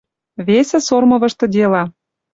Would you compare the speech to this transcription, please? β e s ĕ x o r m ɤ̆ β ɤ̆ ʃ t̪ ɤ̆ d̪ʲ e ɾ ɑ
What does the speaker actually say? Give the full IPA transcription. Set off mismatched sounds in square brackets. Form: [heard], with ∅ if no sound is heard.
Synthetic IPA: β e s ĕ [s] o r m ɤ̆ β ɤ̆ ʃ t̪ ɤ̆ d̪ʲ e [l] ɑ